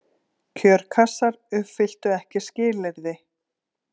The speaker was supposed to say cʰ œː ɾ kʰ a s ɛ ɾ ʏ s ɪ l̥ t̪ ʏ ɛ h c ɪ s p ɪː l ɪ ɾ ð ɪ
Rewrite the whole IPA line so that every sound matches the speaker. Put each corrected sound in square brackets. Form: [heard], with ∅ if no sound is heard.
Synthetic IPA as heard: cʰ œː ɾ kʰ a s [a] ɾ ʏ [f] ɪ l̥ t̪ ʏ ɛ h c ɪ s [c] ɪː l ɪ ɾ ð ɪ